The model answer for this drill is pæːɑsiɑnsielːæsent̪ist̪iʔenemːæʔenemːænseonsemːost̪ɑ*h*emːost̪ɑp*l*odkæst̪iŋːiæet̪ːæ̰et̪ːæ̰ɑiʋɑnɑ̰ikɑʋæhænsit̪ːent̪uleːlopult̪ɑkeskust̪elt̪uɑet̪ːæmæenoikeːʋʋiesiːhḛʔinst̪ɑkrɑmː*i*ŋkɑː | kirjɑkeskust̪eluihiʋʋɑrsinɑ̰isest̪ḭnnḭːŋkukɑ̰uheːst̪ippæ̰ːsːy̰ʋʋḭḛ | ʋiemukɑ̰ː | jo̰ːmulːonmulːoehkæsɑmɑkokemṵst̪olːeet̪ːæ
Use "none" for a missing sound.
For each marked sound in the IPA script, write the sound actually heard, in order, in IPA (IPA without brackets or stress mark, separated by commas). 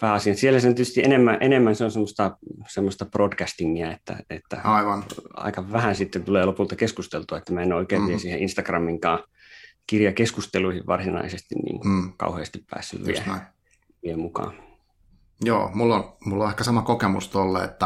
s, r, i